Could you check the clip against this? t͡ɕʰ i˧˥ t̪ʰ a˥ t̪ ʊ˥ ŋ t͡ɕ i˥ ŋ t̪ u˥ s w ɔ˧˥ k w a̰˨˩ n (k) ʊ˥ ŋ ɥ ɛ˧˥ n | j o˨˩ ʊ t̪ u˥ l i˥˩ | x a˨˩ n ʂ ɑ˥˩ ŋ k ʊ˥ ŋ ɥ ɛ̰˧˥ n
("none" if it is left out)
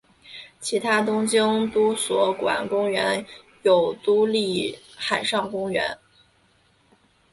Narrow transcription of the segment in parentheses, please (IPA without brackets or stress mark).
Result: k